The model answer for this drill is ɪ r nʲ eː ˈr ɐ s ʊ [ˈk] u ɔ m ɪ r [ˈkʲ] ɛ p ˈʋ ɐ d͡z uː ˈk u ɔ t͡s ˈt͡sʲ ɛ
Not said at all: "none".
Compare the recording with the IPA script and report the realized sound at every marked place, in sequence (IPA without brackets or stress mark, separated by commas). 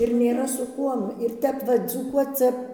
k, tʲ